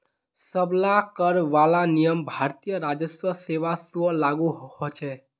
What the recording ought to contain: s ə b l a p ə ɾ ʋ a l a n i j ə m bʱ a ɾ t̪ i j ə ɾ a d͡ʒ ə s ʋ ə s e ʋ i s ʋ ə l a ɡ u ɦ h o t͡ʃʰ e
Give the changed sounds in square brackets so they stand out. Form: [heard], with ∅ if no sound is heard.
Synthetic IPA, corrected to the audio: s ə b l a [k] ə ɾ ʋ a l a n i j ə m bʱ a ɾ t̪ i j ə ɾ a d͡ʒ ə s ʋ ə s e ʋ [a] s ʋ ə l a ɡ u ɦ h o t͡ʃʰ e